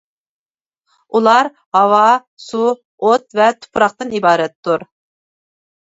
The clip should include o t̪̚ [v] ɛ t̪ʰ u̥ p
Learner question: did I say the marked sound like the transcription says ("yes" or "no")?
yes